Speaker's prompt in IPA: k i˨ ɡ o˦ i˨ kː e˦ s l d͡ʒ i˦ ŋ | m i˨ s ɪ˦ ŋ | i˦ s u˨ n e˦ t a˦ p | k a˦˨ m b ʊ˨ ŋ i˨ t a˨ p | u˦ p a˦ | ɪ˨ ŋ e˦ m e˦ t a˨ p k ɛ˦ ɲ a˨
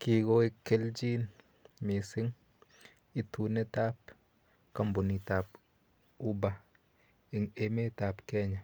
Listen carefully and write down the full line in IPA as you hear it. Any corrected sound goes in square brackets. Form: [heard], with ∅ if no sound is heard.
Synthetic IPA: k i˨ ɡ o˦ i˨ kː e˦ [∅] l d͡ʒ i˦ [n] | m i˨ s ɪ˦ ŋ | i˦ [t] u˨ n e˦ t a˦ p | k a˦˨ m b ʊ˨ [n] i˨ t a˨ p | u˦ [b] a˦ | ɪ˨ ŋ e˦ m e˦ t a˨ p k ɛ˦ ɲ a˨